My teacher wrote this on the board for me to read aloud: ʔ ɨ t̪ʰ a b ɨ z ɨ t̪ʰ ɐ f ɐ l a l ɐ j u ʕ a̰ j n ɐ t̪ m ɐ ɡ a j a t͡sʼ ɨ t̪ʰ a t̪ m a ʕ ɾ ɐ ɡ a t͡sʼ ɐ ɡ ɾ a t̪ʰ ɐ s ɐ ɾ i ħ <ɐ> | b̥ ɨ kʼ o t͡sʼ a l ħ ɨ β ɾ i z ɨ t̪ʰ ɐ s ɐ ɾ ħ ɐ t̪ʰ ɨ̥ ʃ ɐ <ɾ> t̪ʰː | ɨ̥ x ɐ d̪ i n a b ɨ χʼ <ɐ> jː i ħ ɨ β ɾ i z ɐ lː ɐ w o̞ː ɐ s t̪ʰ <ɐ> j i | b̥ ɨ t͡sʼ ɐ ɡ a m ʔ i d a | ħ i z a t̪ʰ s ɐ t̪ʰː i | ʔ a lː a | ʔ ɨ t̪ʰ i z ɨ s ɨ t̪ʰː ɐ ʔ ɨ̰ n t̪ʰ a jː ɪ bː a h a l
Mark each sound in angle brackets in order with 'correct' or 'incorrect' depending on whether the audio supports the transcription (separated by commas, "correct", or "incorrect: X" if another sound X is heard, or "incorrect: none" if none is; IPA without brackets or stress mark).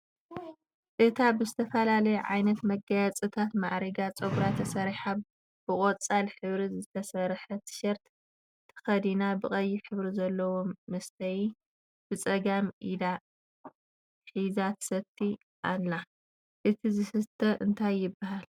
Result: incorrect: a, correct, correct, correct